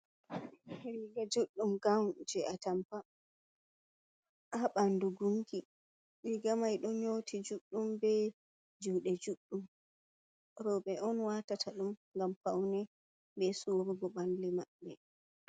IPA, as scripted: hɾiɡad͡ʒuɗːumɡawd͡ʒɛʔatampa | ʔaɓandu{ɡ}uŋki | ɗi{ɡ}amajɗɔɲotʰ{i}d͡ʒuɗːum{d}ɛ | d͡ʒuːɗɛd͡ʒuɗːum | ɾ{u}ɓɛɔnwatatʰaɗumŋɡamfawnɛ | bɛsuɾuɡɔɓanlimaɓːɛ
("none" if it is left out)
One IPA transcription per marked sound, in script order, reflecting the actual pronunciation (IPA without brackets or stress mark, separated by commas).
ɡ, ɡ, i, b, ɔ